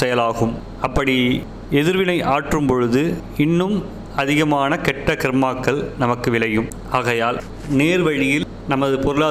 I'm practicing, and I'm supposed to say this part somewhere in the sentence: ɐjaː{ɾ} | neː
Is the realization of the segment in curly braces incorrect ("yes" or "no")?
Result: yes